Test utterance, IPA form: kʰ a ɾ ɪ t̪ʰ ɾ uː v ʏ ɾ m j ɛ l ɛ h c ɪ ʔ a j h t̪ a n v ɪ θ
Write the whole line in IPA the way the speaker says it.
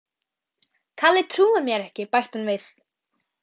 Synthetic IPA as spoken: kʰ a l ɪ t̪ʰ ɾ uː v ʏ m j ɛ ɾ ɛ h c ɪ p a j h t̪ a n v ɪ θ